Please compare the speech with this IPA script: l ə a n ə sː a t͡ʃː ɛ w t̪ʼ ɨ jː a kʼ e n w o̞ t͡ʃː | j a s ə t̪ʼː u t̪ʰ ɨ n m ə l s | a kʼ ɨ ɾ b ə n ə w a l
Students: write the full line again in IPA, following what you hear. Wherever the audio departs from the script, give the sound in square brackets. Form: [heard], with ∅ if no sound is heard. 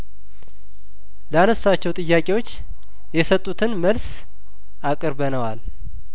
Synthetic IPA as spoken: l ə a n ə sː a t͡ʃː ɛ w t̪ʼ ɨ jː a kʼ e [∅] w o̞ t͡ʃː | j [ɛ] s ə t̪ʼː u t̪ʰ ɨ n m ə l s | a kʼ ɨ ɾ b ə n ə w a l